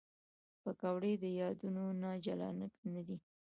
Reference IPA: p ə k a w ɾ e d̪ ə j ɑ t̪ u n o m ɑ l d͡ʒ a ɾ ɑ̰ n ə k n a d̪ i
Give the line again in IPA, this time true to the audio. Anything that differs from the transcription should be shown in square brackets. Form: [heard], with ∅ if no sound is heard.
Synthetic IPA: p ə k a w [ɽ] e d̪ ə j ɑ [d̪] u n o [n] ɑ [∅] d͡ʒ a [l] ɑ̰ n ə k n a d̪ i